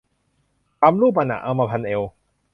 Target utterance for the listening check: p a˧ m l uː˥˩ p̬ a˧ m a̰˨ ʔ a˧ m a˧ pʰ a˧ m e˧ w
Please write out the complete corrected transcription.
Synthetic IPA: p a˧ m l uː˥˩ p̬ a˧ n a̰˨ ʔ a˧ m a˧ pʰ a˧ n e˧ w